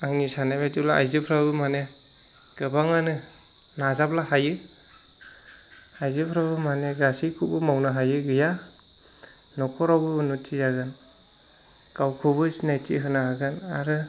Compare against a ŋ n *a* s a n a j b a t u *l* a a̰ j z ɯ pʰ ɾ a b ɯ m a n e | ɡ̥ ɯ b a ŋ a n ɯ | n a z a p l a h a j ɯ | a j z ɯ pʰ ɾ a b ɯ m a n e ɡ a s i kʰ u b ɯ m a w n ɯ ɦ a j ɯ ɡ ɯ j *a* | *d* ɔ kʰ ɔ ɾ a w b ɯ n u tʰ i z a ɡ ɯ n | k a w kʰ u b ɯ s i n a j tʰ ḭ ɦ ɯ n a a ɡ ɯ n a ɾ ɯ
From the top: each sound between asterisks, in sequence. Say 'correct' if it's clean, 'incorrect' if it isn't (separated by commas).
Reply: incorrect, correct, correct, incorrect